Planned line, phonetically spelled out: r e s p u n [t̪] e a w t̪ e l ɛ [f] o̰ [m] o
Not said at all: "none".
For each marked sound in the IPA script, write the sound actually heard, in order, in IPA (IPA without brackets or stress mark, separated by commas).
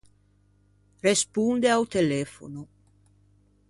d̪, f, n